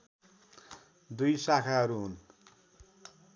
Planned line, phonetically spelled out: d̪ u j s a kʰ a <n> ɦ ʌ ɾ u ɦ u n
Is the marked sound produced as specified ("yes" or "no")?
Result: no